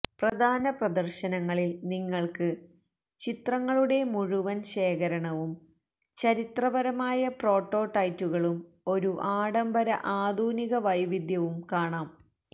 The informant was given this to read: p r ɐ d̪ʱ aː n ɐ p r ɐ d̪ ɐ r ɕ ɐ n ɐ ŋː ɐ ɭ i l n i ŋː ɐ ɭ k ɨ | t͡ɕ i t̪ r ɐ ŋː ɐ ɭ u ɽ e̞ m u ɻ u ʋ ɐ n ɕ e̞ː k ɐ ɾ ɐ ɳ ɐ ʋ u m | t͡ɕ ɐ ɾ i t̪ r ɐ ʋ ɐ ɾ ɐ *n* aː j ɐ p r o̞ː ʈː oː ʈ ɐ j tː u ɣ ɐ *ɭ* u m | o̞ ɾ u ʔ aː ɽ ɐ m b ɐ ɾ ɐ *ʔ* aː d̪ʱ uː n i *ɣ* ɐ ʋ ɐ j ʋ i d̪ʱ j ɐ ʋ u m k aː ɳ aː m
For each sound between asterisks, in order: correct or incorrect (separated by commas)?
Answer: incorrect, correct, correct, correct